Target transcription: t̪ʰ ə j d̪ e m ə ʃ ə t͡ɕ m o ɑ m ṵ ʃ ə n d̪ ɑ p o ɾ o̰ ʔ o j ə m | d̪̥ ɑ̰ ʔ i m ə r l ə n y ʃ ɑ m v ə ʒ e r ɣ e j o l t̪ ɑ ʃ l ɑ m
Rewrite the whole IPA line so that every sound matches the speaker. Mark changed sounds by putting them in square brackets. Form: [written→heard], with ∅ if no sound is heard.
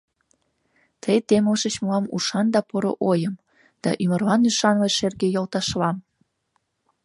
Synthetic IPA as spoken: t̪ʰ ə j [d̪→t̪] e m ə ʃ ə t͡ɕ m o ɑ m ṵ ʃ [ə→ɑ] n d̪ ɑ p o ɾ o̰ ʔ o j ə m | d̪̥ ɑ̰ ʔ [i→y] m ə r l [ə→ɑ] n y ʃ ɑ [m→n] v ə [ʒ→ʃ] e r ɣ e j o l t̪ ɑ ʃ l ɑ m